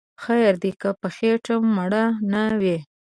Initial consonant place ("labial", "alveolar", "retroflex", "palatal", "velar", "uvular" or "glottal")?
velar